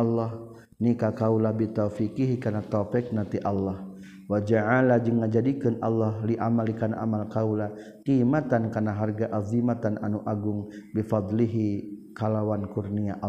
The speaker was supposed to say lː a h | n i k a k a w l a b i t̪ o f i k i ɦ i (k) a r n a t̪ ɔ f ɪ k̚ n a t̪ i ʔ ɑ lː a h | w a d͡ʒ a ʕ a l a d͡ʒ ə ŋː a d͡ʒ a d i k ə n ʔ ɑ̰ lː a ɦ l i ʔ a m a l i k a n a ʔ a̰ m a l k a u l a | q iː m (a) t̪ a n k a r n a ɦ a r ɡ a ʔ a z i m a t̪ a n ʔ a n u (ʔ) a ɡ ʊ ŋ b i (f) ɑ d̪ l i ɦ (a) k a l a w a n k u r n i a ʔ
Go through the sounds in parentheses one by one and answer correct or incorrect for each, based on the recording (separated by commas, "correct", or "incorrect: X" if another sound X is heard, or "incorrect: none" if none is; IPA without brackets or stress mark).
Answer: correct, correct, correct, correct, incorrect: i